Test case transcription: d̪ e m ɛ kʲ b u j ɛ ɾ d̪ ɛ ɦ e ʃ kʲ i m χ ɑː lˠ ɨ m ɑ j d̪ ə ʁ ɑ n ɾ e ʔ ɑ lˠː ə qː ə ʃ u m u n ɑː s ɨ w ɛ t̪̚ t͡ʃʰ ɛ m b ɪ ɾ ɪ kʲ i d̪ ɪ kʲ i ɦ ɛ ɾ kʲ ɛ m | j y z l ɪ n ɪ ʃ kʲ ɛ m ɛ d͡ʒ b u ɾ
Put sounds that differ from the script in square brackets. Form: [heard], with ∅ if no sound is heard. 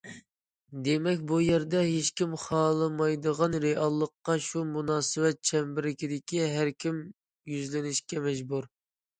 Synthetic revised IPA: d̪ e m ɛ kʲ b u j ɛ ɾ d̪ ɛ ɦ e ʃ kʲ i m χ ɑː lˠ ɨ m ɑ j d̪ ə ʁ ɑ n ɾ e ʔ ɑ lˠː ə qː [ɑ] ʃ u m u n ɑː s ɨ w ɛ t̪̚ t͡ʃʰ ɛ m b ɪ ɾ ɪ kʲ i d̪ ɪ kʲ i ɦ [æ] ɾ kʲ [i] m | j y z l ɪ n ɪ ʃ kʲ ɛ m ɛ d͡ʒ b u ɾ